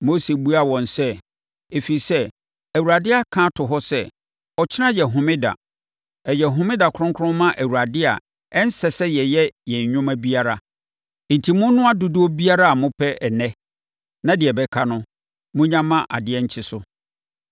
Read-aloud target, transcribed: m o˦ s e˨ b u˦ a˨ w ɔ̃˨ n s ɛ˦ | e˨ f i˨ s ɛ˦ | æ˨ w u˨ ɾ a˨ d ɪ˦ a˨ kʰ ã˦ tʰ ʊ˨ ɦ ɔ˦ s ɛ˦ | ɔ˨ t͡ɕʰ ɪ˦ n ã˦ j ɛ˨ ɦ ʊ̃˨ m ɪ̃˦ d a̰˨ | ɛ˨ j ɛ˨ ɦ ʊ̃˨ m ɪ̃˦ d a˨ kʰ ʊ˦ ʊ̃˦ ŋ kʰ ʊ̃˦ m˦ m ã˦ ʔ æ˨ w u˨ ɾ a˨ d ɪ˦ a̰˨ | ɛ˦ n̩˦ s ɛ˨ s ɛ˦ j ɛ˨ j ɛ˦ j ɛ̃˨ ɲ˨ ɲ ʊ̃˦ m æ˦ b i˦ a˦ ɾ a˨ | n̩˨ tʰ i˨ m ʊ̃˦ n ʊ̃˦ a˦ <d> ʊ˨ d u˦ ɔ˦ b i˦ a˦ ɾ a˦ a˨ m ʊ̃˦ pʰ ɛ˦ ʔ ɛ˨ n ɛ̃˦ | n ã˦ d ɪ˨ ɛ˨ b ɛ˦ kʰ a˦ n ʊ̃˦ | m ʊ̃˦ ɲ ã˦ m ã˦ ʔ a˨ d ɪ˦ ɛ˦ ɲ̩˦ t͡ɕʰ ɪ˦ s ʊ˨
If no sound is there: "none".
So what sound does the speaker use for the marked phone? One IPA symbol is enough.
d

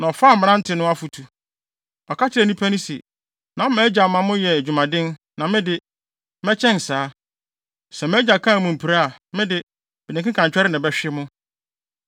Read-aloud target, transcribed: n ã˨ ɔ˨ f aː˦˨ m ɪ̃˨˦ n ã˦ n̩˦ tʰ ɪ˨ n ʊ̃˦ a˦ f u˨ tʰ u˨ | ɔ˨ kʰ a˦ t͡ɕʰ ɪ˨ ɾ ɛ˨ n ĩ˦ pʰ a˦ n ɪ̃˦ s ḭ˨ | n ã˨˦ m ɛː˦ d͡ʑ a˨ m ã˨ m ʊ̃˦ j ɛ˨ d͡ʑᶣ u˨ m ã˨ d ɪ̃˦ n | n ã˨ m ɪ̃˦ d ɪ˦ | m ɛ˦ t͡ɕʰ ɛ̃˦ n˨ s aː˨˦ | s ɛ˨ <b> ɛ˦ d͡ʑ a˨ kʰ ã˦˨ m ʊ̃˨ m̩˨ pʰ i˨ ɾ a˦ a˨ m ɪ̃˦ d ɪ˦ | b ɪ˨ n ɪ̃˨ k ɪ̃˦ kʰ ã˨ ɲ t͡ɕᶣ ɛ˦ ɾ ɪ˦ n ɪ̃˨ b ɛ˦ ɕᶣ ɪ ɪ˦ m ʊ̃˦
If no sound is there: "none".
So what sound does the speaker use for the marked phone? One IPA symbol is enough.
m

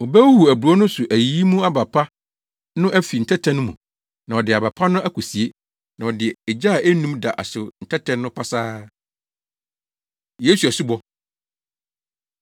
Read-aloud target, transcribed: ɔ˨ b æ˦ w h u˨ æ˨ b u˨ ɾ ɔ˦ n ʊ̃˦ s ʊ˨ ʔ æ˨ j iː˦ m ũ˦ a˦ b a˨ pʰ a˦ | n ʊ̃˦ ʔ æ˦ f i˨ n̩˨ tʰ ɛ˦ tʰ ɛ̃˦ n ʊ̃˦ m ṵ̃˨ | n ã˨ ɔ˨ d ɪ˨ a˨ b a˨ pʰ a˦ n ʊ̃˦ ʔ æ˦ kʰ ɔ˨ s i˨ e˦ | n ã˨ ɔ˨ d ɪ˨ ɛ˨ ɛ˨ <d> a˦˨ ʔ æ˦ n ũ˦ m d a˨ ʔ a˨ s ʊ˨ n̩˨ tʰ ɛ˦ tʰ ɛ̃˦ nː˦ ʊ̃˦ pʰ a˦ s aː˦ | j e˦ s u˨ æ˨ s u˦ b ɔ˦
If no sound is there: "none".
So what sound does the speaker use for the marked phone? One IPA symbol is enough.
d͡ʑ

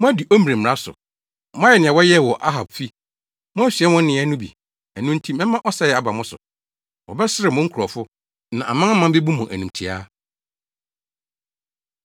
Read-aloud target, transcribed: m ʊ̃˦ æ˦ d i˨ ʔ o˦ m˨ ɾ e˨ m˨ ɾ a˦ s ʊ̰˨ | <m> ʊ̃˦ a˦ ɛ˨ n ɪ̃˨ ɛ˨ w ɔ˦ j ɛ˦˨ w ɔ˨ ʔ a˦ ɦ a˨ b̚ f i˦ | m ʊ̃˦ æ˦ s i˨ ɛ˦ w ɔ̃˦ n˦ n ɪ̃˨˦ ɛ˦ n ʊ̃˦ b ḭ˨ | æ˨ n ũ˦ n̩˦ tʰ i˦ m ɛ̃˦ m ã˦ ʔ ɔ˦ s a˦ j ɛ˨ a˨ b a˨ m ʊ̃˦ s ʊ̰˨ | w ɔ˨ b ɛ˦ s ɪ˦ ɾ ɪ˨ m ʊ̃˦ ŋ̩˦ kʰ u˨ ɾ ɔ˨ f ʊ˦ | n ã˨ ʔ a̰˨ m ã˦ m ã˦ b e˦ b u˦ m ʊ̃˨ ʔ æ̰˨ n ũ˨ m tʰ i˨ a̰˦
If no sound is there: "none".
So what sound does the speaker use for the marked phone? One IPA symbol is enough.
m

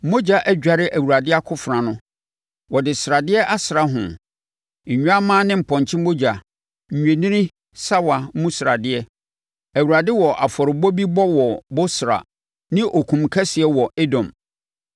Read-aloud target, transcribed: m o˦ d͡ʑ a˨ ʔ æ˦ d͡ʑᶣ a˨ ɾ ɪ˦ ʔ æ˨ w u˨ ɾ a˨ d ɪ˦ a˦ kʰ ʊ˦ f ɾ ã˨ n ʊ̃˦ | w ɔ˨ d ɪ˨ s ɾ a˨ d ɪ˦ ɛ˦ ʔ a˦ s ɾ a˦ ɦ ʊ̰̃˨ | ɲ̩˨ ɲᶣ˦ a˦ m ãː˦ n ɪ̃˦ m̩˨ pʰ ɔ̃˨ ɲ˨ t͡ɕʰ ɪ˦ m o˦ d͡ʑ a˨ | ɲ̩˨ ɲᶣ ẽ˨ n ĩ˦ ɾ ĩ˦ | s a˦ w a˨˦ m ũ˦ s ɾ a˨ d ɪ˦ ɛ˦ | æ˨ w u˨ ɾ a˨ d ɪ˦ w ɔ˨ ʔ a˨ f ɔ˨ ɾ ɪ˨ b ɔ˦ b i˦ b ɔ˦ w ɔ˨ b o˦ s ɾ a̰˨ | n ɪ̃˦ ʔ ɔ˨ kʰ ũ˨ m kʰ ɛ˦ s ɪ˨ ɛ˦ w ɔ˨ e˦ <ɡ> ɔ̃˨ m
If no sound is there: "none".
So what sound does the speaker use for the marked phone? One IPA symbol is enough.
d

